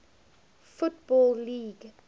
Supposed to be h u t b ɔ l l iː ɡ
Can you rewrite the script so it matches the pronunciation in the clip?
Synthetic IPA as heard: f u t b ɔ l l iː ɡ